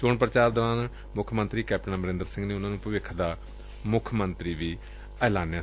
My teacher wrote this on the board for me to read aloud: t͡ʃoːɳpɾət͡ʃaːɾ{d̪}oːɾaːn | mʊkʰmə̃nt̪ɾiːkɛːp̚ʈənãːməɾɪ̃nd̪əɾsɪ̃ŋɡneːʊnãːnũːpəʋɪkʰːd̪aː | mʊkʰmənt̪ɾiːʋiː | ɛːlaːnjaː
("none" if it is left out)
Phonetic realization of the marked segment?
d̪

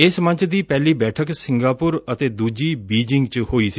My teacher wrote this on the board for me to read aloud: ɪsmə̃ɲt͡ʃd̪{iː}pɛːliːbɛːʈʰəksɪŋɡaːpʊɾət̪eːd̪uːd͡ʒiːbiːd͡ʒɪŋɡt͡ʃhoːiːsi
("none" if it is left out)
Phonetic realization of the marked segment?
iː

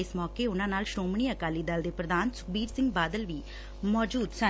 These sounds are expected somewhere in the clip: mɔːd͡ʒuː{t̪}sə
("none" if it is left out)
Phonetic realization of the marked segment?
d̪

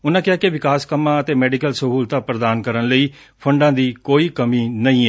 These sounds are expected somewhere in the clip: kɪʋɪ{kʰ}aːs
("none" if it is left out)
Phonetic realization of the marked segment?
k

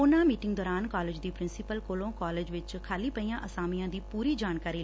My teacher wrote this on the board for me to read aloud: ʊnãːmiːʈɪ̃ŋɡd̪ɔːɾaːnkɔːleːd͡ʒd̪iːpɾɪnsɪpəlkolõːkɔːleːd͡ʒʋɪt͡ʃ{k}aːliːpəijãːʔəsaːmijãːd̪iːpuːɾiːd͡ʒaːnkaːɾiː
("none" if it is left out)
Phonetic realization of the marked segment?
kʰ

